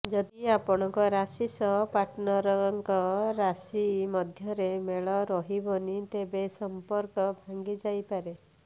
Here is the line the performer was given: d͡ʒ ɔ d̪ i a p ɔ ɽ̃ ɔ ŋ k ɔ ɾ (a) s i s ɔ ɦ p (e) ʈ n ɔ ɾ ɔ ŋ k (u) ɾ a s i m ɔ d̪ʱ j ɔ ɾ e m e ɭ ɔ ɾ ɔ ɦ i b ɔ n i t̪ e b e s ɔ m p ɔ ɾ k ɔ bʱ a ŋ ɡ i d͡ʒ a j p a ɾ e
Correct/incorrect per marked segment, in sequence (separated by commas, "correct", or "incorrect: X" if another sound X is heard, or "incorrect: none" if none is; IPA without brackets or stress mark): correct, incorrect: a, incorrect: ɔ